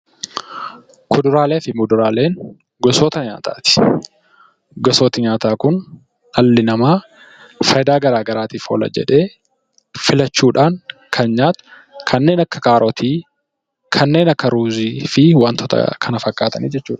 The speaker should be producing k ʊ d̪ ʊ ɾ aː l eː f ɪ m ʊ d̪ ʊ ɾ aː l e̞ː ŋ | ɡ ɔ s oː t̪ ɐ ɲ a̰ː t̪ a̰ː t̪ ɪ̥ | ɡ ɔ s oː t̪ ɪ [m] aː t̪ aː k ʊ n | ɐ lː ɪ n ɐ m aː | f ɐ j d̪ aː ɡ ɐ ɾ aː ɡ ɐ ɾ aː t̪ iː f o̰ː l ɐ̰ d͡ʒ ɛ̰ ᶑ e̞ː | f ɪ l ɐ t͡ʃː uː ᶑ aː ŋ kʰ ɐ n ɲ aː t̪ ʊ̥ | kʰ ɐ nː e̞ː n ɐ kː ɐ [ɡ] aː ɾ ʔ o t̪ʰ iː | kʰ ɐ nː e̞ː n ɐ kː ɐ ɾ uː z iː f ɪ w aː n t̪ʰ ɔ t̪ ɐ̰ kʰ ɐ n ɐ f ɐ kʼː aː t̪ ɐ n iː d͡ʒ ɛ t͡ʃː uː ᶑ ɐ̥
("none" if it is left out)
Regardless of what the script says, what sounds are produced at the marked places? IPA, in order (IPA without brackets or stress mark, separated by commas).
ɲ, k